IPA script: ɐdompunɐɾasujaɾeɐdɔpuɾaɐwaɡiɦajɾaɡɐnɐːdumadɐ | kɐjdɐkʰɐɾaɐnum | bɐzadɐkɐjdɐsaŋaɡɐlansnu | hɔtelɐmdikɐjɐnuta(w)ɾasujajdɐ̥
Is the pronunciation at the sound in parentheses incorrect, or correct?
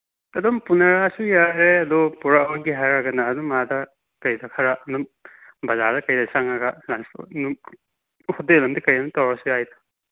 correct